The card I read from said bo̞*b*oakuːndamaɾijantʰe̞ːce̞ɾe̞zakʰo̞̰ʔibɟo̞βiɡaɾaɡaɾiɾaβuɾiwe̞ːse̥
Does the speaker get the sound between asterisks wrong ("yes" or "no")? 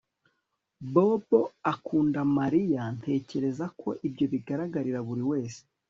no